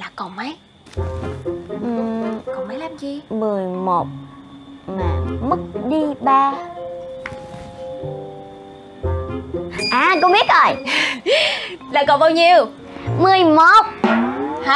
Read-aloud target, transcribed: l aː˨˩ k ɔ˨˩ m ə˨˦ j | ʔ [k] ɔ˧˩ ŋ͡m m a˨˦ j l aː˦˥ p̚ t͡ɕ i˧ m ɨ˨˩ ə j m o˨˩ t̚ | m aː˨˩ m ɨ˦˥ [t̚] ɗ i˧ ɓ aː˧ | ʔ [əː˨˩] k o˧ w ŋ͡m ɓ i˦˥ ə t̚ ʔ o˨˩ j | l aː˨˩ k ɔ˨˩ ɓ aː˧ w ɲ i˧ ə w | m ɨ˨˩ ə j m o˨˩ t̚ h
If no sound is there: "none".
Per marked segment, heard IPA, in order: k, k̚, aː˨˩

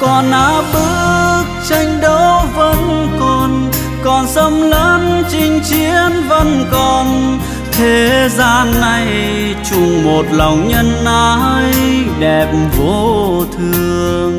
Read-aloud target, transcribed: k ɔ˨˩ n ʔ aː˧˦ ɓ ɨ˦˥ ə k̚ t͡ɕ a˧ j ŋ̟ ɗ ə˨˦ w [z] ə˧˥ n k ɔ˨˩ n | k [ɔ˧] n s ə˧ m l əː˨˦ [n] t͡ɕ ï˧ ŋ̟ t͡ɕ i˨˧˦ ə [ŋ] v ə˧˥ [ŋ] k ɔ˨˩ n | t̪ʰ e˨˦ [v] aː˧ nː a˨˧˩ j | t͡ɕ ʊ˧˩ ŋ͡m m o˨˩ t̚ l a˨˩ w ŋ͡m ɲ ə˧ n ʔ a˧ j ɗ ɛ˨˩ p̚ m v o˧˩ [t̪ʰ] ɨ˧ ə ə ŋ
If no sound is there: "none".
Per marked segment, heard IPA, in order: v, ɔ˨˩, n, n, n, z, t̪ʰ

